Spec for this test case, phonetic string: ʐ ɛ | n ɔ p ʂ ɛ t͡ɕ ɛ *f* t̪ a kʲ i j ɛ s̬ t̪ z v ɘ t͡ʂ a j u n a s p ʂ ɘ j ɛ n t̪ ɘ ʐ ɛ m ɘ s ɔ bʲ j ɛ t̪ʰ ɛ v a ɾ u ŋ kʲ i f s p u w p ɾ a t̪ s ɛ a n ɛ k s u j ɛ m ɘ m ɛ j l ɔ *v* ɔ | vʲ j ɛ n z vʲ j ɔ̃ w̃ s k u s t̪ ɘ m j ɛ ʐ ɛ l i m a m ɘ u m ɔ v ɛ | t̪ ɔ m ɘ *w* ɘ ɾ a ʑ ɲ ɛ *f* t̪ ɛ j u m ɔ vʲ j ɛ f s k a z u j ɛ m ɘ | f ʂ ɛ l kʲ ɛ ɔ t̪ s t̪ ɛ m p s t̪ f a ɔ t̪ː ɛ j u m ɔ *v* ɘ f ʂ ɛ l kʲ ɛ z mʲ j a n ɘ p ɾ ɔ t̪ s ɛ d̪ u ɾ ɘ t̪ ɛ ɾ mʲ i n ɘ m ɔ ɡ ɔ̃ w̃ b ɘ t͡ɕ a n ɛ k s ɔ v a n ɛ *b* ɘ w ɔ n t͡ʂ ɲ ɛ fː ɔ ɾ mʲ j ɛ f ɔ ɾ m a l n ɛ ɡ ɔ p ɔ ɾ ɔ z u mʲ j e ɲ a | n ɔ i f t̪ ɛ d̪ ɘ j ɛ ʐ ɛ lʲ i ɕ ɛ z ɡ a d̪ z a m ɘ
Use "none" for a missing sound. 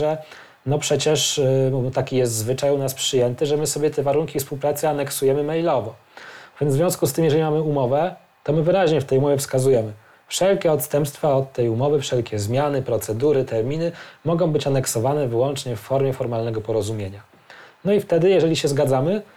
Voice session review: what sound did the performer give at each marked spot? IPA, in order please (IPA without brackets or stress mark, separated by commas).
ʂ, v, v, f, v, v